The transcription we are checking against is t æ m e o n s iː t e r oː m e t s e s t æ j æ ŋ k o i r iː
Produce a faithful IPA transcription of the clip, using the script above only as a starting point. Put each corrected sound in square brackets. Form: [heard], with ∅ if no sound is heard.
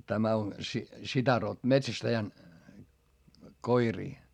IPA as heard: t æ m [æ] o n s [i] t [æ] r [o] m e t s [æ] s t æ j æ [n] k o i r iː